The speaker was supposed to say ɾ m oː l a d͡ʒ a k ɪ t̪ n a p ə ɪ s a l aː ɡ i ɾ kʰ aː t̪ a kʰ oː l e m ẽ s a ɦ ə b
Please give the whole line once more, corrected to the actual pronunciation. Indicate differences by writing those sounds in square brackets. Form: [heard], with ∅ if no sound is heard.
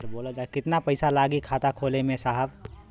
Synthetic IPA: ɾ [b] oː l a d͡ʒ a k ɪ t̪ n a p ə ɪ s a l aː ɡ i [∅] kʰ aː t̪ a kʰ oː l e m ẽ s a ɦ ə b